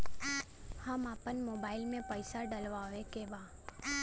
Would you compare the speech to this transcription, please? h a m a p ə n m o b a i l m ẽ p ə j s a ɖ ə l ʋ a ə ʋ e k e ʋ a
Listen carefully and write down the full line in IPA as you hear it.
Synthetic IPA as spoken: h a m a p ə n m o b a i l m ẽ p ə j s a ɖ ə l ʋ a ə ʋ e k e ʋ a